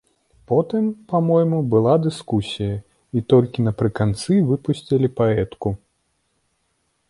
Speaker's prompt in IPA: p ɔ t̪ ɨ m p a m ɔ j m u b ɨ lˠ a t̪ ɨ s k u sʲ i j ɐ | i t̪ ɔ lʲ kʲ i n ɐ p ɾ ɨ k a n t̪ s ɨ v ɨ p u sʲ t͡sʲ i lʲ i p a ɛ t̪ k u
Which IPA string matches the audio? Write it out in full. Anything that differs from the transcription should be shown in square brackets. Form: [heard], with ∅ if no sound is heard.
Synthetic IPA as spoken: p ɔ t̪ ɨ m p a m ɔ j m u b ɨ lˠ a [d̪] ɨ s k u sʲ i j ɐ | i t̪ ɔ lʲ kʲ i n ɐ p ɾ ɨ k a n t̪ s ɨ v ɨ p u sʲ t͡sʲ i lʲ i p a ɛ t̪ k u